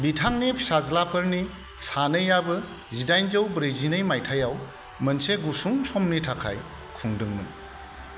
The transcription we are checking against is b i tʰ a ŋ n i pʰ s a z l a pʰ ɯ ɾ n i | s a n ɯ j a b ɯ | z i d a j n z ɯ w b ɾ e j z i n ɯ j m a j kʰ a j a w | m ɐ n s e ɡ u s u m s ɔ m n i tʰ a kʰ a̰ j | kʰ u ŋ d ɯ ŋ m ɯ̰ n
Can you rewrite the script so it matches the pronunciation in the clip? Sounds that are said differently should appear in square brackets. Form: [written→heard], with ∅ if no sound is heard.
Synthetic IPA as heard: b i tʰ a ŋ n i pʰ s a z l a pʰ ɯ ɾ n i | s a n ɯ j a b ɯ | z i d a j n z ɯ w b ɾ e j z i n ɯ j m a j [kʰ→tʰ] a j a w | m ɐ n s e ɡ u s u [m→ŋ] s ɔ m n i tʰ a kʰ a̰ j | kʰ u ŋ d ɯ ŋ m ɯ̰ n